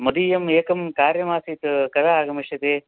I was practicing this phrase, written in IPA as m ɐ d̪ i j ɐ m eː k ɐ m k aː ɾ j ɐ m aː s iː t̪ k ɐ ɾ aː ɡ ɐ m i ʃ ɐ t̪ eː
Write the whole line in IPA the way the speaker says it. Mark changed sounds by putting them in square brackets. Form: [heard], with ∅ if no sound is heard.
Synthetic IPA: m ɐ d̪ i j ɐ m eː k ɐ m k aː ɾ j ɐ m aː s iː t̪ k ɐ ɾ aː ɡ ɐ m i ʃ ɐ t̪ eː